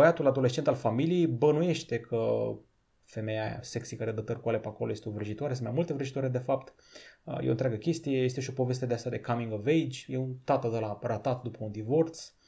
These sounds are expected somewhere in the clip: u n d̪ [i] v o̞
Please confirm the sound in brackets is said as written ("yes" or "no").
yes